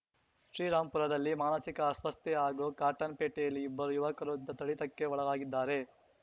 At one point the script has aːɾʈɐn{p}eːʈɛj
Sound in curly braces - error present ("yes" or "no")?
no